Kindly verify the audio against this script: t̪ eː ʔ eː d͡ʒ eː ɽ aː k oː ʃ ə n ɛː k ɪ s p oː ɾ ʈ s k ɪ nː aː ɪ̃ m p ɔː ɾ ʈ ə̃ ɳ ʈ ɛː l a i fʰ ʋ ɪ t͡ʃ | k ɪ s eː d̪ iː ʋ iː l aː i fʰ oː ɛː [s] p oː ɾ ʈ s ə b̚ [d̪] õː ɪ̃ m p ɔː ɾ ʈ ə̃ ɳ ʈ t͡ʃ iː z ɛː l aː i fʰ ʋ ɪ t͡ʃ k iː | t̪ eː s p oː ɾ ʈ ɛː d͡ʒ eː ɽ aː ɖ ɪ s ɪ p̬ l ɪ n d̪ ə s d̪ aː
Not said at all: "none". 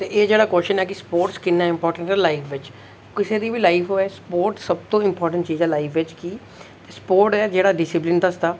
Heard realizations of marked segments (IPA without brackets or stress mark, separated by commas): s, t̪